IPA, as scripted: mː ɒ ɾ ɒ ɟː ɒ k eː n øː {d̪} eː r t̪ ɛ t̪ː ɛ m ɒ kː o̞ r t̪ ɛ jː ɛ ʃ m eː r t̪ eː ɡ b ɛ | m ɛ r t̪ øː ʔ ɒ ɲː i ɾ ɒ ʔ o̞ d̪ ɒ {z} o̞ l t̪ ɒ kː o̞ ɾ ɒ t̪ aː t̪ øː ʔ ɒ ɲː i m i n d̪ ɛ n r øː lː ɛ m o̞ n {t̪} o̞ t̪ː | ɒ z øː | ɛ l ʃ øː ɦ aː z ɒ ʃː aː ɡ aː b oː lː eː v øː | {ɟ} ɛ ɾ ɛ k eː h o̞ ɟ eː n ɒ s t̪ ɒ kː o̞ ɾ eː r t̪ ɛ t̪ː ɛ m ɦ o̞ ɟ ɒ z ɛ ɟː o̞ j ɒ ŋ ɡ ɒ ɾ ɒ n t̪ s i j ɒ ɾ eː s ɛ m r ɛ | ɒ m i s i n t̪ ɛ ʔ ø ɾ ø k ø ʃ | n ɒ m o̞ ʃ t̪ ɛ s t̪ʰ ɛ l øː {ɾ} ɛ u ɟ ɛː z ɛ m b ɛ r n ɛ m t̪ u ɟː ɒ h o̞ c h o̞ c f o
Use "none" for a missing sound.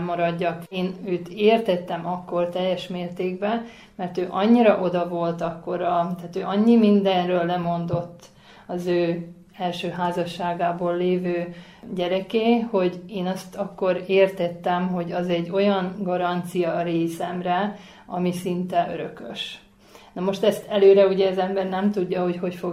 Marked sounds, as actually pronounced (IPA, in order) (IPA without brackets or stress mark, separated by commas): t̪, v, d̪, ɟ, ɾ